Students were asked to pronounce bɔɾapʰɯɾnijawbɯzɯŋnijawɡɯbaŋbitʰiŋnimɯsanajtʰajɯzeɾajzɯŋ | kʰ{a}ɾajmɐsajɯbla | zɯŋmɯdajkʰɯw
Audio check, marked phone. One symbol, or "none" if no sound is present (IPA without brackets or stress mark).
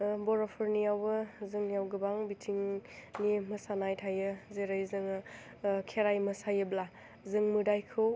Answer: e